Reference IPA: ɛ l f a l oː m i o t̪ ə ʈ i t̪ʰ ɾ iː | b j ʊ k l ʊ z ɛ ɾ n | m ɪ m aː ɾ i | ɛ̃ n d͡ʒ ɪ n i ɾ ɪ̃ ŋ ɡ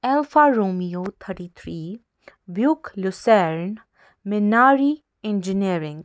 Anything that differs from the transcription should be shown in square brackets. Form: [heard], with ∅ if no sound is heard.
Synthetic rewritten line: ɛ l f a [ɾ] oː m i o [t̪ʰ] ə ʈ i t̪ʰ ɾ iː | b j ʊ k l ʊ [s] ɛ ɾ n | m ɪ [n] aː ɾ i | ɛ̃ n d͡ʒ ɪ n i ɾ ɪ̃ ŋ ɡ